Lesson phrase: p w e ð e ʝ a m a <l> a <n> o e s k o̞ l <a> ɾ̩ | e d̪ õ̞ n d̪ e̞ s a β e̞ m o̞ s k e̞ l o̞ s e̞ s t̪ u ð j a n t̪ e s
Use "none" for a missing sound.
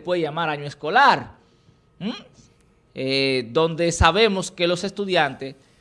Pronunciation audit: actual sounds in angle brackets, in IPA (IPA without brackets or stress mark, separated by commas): ɾ, ɲ, a